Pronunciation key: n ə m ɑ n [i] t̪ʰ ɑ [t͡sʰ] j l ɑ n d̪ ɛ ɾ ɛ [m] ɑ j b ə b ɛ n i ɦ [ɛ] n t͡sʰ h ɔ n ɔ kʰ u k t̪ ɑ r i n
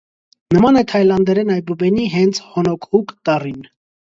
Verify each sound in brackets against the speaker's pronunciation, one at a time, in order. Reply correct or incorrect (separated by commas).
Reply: incorrect, incorrect, incorrect, correct